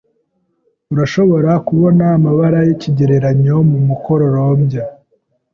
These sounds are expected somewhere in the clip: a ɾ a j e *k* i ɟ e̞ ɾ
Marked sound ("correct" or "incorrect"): incorrect